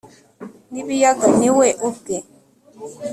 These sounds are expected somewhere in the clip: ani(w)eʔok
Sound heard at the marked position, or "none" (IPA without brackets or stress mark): w